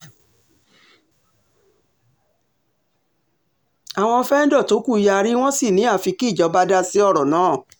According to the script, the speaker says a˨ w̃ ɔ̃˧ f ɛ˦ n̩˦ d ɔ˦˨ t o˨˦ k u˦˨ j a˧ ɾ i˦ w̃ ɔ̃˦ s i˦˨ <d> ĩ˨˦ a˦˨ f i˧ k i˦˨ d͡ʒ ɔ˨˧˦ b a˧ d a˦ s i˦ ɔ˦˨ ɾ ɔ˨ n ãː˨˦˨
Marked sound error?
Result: yes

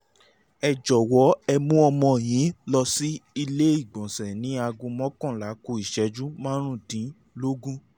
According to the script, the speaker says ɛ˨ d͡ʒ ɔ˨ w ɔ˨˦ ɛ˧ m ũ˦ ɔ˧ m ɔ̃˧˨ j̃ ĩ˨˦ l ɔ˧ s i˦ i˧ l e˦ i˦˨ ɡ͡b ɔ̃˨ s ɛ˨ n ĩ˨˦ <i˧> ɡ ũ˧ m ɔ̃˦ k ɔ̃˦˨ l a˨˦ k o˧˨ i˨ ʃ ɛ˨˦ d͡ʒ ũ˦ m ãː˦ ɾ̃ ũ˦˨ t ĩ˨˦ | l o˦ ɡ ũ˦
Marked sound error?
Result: yes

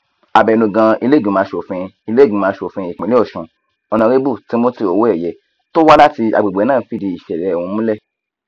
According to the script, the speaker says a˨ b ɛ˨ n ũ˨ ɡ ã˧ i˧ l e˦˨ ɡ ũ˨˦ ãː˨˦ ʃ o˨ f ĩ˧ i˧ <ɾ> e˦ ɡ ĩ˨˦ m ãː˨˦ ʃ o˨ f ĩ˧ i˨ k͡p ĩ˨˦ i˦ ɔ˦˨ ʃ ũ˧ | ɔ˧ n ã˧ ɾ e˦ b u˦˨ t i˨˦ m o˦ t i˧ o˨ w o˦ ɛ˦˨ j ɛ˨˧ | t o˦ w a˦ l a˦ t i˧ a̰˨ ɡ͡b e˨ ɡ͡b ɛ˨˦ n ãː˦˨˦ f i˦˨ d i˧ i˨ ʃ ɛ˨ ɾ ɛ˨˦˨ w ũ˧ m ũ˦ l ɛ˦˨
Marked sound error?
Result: yes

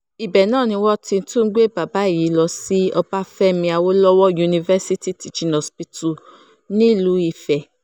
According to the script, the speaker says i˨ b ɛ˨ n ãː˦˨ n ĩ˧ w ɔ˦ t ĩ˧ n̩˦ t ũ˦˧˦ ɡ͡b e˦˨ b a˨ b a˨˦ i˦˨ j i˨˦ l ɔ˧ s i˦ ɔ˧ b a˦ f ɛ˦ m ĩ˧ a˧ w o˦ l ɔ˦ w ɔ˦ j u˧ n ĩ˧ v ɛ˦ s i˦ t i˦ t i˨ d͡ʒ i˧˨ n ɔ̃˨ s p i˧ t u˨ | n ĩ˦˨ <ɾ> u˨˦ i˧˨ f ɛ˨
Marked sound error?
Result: yes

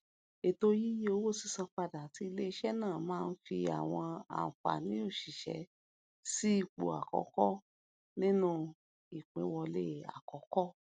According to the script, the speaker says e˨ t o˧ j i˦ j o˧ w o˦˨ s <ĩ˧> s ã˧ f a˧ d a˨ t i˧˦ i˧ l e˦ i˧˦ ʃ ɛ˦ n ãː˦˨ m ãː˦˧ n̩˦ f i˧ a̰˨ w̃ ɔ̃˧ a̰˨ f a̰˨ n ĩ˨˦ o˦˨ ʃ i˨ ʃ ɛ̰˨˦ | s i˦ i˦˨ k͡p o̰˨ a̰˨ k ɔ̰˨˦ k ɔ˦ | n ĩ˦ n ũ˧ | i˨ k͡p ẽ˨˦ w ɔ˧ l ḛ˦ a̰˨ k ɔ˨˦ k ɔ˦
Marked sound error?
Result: yes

